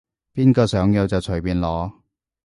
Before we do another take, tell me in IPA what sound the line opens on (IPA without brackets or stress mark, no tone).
p